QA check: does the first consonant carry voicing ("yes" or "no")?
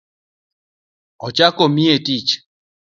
no